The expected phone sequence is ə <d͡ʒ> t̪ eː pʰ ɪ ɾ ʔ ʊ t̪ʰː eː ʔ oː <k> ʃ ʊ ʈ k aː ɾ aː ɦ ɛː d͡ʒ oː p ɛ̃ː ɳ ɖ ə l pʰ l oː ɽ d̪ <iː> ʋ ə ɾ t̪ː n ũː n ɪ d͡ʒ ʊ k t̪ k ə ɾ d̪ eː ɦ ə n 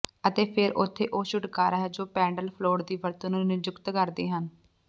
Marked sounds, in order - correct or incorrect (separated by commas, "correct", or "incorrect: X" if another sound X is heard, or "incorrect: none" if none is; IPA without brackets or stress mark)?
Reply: incorrect: none, incorrect: none, correct